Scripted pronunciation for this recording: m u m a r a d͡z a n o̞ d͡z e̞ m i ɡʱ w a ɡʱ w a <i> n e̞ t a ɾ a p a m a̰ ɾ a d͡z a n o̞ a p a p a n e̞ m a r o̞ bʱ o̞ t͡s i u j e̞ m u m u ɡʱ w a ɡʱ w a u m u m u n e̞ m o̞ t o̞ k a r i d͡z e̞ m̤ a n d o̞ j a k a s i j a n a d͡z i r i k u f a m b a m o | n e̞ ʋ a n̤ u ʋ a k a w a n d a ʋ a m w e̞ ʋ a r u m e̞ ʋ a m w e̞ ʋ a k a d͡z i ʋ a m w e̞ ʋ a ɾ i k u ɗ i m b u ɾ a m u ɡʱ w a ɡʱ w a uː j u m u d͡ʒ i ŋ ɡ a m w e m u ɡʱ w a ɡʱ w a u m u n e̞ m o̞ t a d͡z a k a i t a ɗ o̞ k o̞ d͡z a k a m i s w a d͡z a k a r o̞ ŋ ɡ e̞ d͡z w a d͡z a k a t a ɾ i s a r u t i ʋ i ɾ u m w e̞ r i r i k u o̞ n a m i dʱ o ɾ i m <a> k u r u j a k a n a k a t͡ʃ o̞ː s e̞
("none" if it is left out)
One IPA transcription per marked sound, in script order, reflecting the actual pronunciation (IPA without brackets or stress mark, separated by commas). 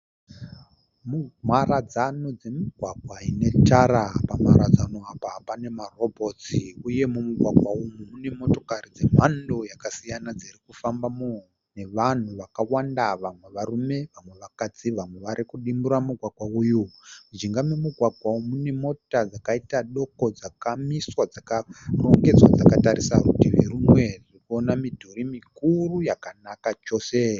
i, i